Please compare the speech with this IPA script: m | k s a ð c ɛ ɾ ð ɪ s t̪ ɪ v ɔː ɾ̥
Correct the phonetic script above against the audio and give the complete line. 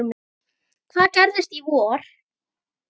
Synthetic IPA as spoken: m | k θ a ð c ɛ ɾ ð ɪ s t̪ i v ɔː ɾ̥